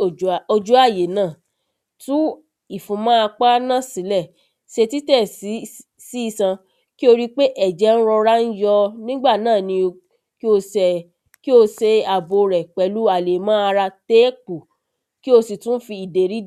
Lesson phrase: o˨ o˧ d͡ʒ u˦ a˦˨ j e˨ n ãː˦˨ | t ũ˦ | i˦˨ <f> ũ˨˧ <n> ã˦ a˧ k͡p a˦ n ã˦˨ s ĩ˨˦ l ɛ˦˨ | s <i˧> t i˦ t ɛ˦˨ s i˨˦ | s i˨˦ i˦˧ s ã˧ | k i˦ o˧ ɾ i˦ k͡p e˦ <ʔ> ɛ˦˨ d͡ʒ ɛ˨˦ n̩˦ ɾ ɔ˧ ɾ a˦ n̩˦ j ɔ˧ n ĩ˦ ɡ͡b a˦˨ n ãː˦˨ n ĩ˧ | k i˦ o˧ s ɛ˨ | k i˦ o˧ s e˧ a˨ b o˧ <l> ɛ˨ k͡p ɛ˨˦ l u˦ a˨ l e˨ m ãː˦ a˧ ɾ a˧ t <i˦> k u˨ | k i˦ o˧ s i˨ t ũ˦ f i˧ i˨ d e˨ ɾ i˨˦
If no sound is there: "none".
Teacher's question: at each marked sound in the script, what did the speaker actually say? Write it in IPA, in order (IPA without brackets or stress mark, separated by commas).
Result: f, m, e˧, ʔ, ɾ, e˦